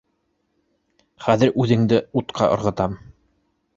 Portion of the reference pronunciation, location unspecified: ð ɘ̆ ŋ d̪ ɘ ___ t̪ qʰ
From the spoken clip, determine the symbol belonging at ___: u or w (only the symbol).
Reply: u